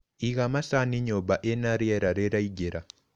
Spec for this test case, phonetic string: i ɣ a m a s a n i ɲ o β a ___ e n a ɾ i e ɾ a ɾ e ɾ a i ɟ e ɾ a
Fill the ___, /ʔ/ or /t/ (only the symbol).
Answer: ʔ